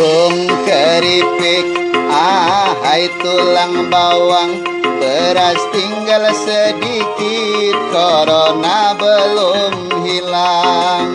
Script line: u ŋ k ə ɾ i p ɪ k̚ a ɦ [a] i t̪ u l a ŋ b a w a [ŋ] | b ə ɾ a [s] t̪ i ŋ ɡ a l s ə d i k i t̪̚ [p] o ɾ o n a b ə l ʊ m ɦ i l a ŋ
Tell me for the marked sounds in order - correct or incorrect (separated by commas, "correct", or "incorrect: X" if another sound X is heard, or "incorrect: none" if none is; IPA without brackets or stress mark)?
correct, correct, correct, incorrect: k